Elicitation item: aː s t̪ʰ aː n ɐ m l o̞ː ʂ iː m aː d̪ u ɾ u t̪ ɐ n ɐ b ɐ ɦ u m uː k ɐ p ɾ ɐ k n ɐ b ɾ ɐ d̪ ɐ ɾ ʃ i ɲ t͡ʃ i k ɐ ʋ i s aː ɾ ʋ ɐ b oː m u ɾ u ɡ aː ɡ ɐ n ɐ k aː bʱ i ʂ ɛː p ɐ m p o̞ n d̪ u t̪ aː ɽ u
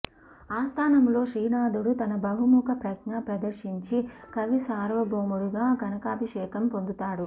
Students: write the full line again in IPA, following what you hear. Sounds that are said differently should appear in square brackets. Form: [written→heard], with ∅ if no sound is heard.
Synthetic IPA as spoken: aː s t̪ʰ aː n ɐ m l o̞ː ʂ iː [m→n] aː d̪ u [ɾ→ɽ] u t̪ ɐ n ɐ b ɐ ɦ u m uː k ɐ p ɾ ɐ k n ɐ [b→p] ɾ ɐ d̪ ɐ ɾ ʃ i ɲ t͡ʃ i k ɐ ʋ i s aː ɾ ʋ ɐ b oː m u [ɾ→ɽ] u ɡ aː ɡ ɐ n ɐ k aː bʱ i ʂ ɛː [p→k] ɐ m p o̞ n d̪ u t̪ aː ɽ u